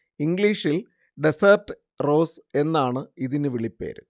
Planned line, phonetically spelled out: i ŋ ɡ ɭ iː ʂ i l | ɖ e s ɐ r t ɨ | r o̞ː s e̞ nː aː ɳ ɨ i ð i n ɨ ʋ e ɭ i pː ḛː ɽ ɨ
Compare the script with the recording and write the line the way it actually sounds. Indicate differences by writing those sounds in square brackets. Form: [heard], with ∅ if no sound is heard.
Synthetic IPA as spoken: i ŋ ɡ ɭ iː ʂ i l | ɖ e s ɐ r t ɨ | r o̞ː s e̞ nː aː ɳ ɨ i ð i n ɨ ʋ [i] ɭ i pː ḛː [ɾ] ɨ

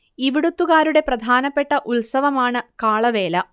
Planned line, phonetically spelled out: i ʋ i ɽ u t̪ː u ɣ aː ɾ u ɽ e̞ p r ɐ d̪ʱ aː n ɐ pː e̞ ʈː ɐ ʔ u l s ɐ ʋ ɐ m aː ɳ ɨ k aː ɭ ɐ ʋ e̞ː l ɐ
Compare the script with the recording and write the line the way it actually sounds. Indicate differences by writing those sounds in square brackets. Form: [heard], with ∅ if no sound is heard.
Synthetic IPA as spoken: i ʋ i ɽ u t̪ː u ɣ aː ɾ u ɽ e̞ p r ɐ d̪ʱ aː n ɐ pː e̞ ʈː ɐ ʔ u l s ɐ ʋ ɐ m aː ɳ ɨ k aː ɭ ɐ ʋ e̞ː l ɐ

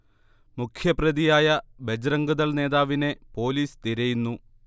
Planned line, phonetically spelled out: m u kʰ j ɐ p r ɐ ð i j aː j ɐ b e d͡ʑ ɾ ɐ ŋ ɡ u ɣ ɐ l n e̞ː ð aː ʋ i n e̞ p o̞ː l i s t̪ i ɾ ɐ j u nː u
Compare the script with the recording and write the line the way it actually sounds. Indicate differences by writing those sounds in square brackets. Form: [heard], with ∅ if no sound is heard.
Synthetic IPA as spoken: m u kʰ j ɐ p r ɐ ð i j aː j ɐ b e d͡ʑ ɾ ɐ ŋ ɡ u [ð] ɐ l n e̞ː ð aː ʋ i n e̞ p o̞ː l [iː] s t̪ i ɾ ɐ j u nː u

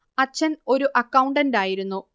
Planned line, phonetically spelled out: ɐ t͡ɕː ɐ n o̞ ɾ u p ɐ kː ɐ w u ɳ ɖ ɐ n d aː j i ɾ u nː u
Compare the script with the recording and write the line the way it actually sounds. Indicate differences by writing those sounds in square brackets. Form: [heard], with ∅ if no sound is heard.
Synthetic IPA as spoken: ɐ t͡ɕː ɐ n o̞ ɾ u [ʔ] ɐ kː ɐ w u ɳ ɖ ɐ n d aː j i ɾ u nː u

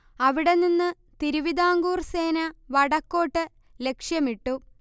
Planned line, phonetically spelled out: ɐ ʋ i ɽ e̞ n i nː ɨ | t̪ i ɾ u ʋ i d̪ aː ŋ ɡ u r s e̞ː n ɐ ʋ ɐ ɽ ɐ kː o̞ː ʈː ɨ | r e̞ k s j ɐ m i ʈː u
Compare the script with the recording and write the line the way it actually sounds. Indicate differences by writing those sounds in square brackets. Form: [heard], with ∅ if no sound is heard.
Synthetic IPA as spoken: ɐ ʋ i ɽ e̞ n i nː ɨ | t̪ i ɾ u ʋ i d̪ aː ŋ ɡ [uː] r s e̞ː n ɐ ʋ ɐ ɽ ɐ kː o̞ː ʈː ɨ | [l] e̞ k [ʂ] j ɐ m i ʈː u

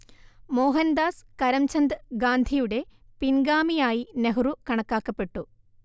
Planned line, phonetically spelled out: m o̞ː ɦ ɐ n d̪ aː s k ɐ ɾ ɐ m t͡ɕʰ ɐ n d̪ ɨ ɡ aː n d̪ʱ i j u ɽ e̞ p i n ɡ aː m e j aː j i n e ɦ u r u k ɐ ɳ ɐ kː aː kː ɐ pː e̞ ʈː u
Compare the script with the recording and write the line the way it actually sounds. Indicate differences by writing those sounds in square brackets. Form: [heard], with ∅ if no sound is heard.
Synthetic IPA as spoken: m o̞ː ɦ ɐ n d̪ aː s k ɐ ɾ ɐ m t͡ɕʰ ɐ n d̪ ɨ ɡ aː n d̪ʱ i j u ɽ e̞ p i n ɡ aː m [i] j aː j i n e ɦ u r u k ɐ ɳ ɐ kː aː kː ɐ pː e̞ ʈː u

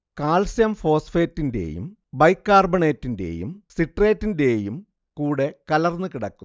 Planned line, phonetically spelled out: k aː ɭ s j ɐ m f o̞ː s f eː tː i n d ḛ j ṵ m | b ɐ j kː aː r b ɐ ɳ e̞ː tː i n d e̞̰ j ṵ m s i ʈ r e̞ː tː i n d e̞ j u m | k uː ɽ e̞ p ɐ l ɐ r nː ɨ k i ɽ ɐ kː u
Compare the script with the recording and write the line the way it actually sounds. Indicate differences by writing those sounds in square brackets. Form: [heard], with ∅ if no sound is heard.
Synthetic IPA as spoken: k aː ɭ s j ɐ m f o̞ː s f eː tː i n d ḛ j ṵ m | b ɐ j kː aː r b ɐ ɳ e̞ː tː i n d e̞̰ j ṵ m s i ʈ r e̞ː tː i n d e̞ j u m | k uː ɽ e̞ [k] ɐ l ɐ r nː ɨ k i ɽ ɐ kː u

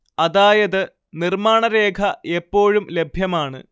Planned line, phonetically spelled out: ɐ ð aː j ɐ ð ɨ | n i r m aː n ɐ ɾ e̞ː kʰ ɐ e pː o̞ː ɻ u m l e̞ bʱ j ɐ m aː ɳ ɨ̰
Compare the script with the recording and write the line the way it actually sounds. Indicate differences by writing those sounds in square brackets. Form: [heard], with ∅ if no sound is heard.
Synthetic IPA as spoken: ɐ ð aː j ɐ ð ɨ | n i r m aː [ɳ] ɐ ɾ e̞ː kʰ ɐ e pː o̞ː ɻ u m l e̞ bʱ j ɐ m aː ɳ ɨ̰

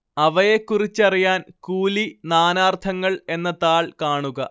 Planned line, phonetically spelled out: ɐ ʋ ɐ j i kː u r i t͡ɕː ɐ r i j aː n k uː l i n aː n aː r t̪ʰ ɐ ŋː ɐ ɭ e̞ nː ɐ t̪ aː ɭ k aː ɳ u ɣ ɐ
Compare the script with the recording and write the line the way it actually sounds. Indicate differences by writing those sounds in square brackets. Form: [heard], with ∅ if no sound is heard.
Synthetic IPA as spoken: ɐ ʋ ɐ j [e] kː u r i t͡ɕː ɐ r i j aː n k uː l i n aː n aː r t̪ʰ ɐ ŋː ɐ ɭ e̞ nː ɐ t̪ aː ɭ k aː ɳ u ɣ ɐ

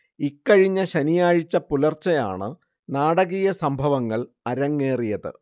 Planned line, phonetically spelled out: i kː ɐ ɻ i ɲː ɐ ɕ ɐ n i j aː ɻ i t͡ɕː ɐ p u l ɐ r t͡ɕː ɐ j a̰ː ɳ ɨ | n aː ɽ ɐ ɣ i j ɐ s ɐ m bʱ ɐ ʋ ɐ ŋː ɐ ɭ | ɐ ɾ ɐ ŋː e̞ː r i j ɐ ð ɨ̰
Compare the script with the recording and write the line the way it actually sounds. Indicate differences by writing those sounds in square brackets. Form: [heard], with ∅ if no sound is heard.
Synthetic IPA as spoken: i kː ɐ ɻ i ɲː ɐ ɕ ɐ n i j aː ɻ i t͡ɕː ɐ p u l ɐ r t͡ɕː ɐ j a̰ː ɳ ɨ | n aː ɽ ɐ ɣ i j ɐ s ɐ m bʱ ɐ ʋ ɐ ŋː ɐ ɭ | ɐ ɾ ɐ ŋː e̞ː r i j ɐ ð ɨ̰

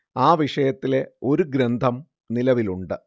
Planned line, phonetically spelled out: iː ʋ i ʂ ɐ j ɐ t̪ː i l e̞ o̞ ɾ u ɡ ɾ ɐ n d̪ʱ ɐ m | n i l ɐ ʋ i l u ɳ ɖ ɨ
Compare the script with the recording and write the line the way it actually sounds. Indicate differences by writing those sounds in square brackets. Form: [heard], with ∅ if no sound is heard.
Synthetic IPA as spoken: [aː] ʋ i ʂ ɐ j ɐ t̪ː i l e̞ o̞ ɾ u ɡ ɾ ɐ n d̪ʱ ɐ m | n i l ɐ ʋ i l u ɳ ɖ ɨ

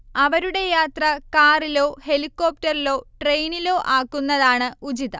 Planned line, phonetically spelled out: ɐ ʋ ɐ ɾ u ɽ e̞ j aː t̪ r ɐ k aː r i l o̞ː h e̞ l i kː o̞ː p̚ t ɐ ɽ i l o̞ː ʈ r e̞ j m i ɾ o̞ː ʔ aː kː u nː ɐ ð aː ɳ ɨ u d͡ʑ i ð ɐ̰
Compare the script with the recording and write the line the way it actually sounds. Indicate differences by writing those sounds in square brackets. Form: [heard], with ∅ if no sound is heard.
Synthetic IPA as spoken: ɐ ʋ ɐ ɾ u ɽ e̞ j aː t̪ r ɐ k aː r i l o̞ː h e̞ l i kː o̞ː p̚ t ɐ [r] i l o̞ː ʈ r e̞ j [n] i [l] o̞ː ʔ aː kː u nː ɐ ð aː ɳ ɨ u d͡ʑ i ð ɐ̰

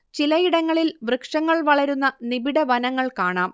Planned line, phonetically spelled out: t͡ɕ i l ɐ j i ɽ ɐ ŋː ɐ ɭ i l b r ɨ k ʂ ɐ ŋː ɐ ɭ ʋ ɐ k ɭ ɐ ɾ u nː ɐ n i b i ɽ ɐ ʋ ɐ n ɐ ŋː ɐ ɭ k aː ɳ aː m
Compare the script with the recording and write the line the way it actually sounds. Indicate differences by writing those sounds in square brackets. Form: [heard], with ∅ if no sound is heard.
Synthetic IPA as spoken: t͡ɕ i l ɐ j i ɽ ɐ ŋː ɐ ɭ i l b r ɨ k ʂ ɐ ŋː ɐ ɭ ʋ ɐ [∅] ɭ ɐ ɾ u nː ɐ n i b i ɽ ɐ ʋ ɐ n ɐ ŋː ɐ ɭ k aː ɳ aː m

